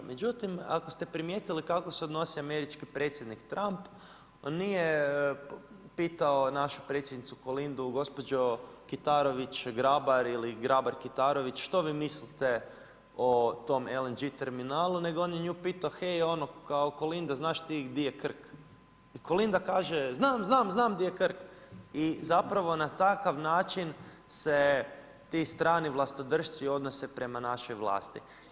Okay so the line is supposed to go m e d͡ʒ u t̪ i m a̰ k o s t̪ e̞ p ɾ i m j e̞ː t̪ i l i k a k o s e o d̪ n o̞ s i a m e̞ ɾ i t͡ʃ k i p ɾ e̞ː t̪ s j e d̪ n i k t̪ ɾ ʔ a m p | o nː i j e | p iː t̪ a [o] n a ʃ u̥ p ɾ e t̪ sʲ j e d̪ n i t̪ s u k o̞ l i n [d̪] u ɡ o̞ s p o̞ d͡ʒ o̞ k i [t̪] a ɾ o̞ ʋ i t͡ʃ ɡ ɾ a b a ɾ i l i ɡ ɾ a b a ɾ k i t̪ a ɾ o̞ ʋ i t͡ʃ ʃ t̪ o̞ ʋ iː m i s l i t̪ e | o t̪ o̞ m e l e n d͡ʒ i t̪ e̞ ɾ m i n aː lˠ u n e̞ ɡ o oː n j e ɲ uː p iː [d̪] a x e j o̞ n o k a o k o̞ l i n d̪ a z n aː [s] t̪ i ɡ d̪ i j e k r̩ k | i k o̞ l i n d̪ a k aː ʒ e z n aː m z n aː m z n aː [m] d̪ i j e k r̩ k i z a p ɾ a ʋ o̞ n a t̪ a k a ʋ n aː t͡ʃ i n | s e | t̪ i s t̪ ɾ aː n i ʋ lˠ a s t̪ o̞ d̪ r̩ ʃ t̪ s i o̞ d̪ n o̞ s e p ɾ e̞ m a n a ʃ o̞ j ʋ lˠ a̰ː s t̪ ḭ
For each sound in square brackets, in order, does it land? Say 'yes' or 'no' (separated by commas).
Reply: yes, yes, yes, no, no, yes